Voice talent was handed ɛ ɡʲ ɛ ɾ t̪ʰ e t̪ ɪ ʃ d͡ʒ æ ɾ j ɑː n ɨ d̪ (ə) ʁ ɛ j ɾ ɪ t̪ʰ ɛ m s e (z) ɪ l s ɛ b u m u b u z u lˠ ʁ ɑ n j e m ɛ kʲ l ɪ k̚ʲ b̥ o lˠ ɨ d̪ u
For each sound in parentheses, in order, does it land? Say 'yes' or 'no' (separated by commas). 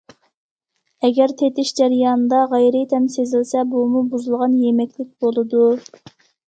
no, yes